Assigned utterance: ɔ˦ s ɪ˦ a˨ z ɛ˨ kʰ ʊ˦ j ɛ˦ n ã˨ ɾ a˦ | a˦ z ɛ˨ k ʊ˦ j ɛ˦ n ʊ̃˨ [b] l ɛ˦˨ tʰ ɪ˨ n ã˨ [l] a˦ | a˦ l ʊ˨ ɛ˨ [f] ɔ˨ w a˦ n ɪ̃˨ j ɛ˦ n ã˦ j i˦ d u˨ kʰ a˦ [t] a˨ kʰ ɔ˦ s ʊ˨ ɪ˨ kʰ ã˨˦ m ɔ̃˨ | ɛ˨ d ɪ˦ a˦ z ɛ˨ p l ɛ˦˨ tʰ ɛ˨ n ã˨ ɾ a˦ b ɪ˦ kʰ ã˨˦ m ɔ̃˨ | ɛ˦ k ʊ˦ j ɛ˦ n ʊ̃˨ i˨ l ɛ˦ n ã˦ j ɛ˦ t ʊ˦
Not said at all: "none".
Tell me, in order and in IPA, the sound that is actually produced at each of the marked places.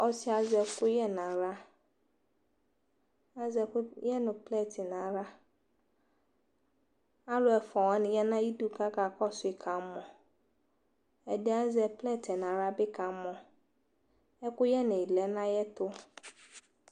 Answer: p, ɾ, f, k

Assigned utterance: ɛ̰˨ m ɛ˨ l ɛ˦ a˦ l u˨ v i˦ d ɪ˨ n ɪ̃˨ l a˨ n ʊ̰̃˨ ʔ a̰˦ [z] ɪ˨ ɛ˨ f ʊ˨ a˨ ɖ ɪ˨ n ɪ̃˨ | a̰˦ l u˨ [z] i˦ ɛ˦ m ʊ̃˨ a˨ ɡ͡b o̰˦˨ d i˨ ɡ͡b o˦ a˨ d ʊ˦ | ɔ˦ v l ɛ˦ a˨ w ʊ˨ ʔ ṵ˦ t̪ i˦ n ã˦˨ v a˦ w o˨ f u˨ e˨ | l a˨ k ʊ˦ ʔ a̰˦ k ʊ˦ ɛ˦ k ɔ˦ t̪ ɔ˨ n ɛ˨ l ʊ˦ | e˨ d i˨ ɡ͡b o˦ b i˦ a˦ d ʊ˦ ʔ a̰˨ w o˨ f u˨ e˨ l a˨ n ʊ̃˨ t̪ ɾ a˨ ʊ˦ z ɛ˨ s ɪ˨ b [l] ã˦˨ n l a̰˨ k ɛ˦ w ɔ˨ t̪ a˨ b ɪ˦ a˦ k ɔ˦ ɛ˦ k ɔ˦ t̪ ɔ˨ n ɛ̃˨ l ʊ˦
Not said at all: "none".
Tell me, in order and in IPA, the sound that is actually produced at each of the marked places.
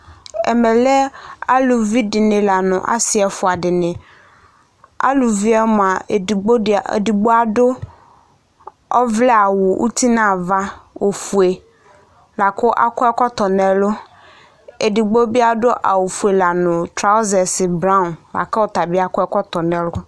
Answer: s, v, ɾ

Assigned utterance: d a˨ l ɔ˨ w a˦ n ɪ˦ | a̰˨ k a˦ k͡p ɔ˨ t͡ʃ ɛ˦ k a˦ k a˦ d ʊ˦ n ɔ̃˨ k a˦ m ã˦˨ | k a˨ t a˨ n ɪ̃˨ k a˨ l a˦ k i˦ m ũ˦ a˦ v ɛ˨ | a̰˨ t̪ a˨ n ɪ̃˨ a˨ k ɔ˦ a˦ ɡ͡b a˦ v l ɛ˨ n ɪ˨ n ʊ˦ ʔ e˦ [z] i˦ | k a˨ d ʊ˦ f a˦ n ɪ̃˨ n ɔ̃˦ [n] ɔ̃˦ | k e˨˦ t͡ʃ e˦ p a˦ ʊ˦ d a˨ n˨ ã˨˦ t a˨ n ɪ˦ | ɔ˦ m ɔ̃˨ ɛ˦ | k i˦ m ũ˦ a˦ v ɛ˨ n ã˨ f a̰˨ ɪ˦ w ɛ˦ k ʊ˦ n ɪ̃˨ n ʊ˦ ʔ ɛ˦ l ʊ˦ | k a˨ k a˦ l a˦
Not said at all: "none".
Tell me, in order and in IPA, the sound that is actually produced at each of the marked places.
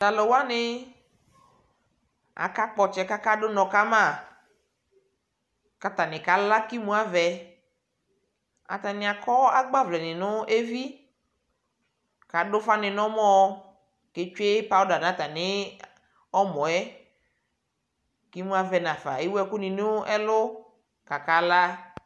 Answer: v, m

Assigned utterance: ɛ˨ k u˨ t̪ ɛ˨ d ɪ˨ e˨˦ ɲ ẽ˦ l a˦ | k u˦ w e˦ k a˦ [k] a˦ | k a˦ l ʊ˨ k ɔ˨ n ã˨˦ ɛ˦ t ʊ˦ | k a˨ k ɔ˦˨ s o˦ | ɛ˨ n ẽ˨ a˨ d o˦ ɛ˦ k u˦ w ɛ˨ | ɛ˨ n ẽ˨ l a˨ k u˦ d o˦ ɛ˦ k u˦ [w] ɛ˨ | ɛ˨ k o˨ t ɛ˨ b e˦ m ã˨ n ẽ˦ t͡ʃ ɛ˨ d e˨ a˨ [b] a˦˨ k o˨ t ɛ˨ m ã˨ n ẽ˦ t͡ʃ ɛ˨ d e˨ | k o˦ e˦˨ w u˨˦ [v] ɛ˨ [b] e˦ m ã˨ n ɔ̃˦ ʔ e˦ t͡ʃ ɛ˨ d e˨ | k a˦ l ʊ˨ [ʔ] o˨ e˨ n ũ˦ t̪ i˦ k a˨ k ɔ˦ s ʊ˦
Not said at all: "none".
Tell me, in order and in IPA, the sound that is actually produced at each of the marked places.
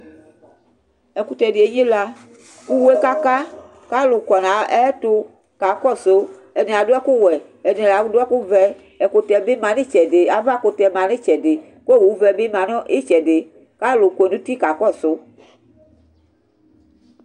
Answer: k, v, v, v, b, k

